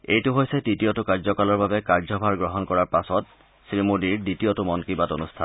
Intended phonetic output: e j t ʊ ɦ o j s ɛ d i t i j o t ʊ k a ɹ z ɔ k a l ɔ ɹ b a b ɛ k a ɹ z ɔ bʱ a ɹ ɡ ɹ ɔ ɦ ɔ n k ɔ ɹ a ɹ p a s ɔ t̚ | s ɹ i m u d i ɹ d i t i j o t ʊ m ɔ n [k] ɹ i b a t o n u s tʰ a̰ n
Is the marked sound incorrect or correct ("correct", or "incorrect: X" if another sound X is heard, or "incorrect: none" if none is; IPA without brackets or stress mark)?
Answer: correct